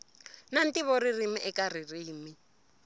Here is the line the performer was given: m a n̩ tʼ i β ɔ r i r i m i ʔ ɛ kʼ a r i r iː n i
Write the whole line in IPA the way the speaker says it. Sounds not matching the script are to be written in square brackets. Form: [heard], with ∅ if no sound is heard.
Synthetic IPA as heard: [n] a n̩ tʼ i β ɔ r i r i m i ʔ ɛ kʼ a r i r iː [m] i